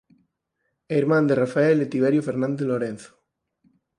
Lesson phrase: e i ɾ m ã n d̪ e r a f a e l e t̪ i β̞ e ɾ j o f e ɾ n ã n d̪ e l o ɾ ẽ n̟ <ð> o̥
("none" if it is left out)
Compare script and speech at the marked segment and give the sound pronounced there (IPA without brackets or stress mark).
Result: θ